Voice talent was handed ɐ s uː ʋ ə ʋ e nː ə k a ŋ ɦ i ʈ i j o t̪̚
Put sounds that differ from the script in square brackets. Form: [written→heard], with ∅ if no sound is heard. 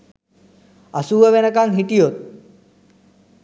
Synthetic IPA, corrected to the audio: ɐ s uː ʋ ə ʋ e [nː→n] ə k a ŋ ɦ i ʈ i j o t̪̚